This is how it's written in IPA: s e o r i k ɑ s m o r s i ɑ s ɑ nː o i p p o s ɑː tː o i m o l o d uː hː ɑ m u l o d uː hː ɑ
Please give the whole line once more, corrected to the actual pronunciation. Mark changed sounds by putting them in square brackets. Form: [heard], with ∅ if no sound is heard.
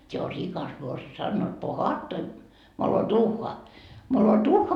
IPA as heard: s e o r i k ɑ s m o r s i ɑ s ɑ nː o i [t] p o [h] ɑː tː o i m o l o d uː hː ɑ m [o] l o d uː hː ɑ